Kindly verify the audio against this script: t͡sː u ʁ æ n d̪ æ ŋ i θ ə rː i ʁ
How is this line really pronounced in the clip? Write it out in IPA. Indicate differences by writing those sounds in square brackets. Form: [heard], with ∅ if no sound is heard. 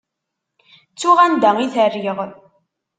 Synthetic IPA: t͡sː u ʁ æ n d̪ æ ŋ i θ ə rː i ʁ